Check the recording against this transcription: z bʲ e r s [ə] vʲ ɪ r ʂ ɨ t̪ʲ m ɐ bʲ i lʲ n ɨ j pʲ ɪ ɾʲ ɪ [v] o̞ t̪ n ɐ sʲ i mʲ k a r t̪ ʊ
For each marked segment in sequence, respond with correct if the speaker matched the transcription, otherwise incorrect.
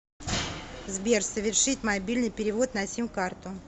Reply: correct, correct

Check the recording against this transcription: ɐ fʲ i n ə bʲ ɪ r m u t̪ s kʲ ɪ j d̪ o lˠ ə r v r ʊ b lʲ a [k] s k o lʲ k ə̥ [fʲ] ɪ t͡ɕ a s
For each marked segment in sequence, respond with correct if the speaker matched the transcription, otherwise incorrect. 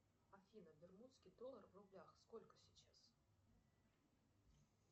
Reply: incorrect, incorrect

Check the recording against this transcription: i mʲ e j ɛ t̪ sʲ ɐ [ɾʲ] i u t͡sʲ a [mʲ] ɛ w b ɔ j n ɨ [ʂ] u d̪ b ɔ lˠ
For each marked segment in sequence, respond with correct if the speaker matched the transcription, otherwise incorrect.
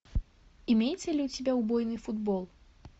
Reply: incorrect, incorrect, incorrect

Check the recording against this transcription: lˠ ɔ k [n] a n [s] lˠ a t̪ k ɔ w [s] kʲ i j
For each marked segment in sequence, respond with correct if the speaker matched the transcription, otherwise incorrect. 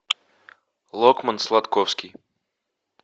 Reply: incorrect, correct, correct

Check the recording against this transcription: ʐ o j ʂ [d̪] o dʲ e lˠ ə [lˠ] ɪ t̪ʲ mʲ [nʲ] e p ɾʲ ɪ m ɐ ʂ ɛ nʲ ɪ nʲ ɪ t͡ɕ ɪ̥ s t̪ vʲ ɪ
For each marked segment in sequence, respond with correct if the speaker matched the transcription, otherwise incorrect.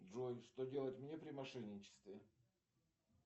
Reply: incorrect, incorrect, correct

